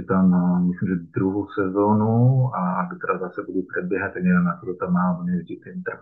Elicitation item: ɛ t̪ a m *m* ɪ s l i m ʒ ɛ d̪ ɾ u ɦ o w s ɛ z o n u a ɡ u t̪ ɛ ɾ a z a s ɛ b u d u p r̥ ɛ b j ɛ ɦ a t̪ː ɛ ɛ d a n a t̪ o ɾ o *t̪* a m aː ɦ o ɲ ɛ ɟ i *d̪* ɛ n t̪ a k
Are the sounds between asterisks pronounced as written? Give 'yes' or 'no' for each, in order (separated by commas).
yes, yes, no